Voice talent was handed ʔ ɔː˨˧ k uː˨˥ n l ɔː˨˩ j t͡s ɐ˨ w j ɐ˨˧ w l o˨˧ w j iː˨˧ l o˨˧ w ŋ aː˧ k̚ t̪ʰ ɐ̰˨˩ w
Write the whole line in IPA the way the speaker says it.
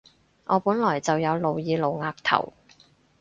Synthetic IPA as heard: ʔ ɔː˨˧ p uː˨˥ n l ɔː˨˩ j t͡s ɐ˨ w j ɐ˨˧ w l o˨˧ w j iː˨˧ l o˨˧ w ŋ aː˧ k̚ t̪ʰ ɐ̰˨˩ w